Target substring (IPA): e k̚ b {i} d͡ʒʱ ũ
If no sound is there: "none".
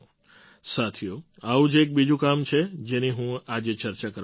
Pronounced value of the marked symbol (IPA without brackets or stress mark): i